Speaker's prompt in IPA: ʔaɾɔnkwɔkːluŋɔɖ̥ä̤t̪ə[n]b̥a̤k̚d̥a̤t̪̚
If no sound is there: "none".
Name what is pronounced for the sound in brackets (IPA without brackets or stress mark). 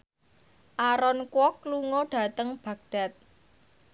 ŋ